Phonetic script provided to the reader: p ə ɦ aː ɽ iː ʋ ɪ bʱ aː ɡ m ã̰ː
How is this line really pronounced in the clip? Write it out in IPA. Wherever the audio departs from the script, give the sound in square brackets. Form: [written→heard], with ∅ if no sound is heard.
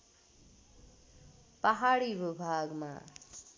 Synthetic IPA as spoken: p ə ɦ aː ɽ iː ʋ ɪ bʱ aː ɡ m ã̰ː